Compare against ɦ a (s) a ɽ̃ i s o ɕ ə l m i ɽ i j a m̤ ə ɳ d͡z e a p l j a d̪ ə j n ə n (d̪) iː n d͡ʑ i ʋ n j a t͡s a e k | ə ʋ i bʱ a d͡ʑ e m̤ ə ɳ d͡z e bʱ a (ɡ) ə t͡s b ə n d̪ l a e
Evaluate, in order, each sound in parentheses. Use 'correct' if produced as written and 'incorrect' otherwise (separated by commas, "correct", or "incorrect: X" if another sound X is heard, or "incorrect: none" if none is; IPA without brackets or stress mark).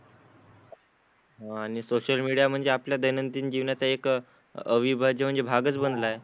incorrect: none, incorrect: t̪, correct